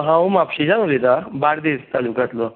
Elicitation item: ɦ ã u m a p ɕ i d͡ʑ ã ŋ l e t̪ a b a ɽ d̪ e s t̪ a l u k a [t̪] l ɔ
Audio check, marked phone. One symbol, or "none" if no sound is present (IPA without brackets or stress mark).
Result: t̪